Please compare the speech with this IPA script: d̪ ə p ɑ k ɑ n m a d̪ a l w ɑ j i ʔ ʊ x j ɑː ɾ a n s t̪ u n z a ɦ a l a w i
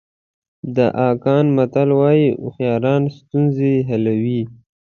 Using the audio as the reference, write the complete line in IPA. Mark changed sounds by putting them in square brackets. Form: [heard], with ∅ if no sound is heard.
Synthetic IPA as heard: d̪ ə [ʔ] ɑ k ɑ n m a [t̪] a l w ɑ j i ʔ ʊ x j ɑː ɾ [ɑ] n s t̪ u n z [e] ɦ a l a w i